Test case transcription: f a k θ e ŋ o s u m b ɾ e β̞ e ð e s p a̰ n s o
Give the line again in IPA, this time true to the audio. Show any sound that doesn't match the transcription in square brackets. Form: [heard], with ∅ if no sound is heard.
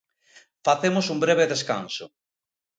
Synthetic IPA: f a [∅] θ e [m] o s u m b ɾ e β̞ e ð e s [k] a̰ n s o